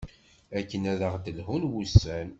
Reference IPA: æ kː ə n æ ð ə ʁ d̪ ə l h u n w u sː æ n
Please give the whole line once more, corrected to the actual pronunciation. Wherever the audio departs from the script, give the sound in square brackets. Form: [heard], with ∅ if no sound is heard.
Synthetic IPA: æ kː ə n æ ð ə ʁ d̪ ə l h u n w u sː æ n